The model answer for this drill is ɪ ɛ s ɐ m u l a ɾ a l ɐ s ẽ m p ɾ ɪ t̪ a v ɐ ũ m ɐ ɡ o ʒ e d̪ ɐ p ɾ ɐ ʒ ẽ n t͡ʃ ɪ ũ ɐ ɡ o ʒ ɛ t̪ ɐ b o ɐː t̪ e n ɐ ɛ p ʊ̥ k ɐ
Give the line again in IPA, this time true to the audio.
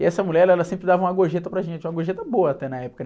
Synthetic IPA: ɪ ɛ s ɐ m u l ɛ ɾ ɛ l ɐ s ẽ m p ɾ ɪ d̪ a v ɐ ũ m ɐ ɡ o ʒ e t̪ ɐ p ɾ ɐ ʒ ẽ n t͡ʃ ɪ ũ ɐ ɡ o ʒ e t̪ ɐ b o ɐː t̪ ɛ n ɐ ɛ p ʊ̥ k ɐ